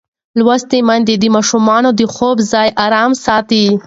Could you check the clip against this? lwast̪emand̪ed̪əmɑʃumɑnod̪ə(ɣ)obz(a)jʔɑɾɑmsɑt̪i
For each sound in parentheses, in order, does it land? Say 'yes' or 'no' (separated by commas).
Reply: no, no